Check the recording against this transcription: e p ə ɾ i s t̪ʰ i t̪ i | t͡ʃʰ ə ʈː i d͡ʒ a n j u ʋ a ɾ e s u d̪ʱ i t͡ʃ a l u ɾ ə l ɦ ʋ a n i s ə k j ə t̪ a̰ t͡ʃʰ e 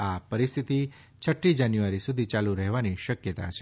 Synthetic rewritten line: a p ə ɾ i s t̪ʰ i t̪ i | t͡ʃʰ ə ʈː i d͡ʒ a n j u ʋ a ɾ i s u d̪ʱ i t͡ʃ a l u ɾ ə ɦ ʋ a n i ʃ ə k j ə t̪ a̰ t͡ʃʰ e